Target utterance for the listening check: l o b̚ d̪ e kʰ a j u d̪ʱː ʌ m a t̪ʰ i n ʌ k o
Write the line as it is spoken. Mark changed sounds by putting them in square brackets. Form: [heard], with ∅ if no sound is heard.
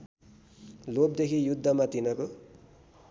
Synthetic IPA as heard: l o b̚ d̪ e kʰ [i] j u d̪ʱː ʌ m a [t̪] i n ʌ k o